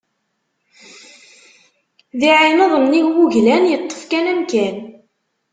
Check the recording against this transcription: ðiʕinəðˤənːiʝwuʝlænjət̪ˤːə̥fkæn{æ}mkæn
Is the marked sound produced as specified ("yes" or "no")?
yes